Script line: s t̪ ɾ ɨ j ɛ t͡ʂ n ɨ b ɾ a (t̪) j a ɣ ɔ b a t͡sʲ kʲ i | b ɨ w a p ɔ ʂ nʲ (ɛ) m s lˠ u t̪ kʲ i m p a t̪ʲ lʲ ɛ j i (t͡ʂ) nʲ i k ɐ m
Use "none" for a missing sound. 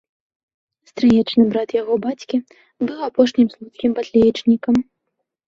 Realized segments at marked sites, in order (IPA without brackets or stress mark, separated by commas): t̪, i, t͡ʂ